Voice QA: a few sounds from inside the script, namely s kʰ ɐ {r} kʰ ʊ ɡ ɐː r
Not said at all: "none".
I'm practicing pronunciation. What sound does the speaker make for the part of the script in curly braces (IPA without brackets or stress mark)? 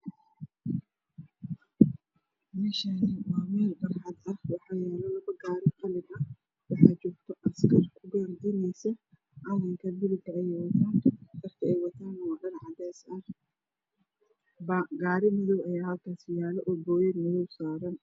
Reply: r